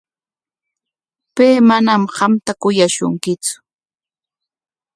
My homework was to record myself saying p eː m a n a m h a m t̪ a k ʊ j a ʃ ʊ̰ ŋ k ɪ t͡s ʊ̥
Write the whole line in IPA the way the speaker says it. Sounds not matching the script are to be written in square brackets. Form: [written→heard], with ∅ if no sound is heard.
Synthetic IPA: p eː m a n a m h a m t̪ a k ʊ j a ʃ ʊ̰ ŋ k ɪ t͡s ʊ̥